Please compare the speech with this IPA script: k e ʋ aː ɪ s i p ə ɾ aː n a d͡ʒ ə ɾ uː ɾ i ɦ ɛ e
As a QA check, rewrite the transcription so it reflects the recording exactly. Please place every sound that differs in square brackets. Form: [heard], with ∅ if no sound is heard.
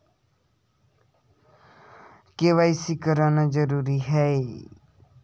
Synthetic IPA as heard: k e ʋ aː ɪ s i [k] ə ɾ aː n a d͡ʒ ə ɾ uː ɾ i ɦ ɛ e